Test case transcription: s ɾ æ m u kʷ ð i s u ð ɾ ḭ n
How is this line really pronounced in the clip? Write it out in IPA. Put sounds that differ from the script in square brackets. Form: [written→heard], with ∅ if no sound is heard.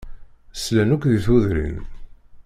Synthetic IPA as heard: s [ɾ→l] æ [m→n] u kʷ ð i [s→θ] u ð ɾ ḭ n

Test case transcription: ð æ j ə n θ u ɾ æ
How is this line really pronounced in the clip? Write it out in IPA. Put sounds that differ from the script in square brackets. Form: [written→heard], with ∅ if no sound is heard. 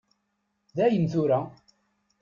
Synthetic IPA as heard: ð æ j ə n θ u ɾ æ

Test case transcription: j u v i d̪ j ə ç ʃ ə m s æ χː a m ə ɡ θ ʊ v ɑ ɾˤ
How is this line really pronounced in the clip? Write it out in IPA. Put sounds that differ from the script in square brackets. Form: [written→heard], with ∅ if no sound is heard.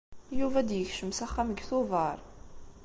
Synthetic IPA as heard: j u v [i→æ] d̪ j ə ç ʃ ə m s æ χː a m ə ɡ θ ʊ v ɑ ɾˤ

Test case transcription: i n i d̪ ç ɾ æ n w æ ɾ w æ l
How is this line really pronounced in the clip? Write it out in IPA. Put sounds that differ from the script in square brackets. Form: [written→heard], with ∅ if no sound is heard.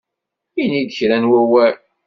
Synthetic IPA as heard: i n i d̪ ç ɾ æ n w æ [ɾ→∅] w æ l

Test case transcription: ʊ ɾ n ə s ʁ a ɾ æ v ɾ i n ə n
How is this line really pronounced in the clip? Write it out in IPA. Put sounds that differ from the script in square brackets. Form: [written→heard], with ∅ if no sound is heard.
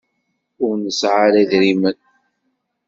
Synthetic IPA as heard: ʊ ɾ n ə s [ʁ→ʕ] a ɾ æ [v→ð] ɾ i [n→m] ə n

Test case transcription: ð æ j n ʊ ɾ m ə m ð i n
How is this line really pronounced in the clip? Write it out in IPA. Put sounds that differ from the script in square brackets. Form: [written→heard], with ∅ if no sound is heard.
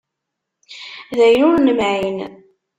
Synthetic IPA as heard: ð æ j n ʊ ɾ [m→n] ə m [ð→ʕ] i n

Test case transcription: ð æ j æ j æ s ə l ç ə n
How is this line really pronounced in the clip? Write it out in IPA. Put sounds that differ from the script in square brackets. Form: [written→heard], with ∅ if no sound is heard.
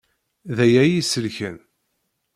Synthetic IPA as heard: ð æ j æ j [æ→i] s ə l ç ə n

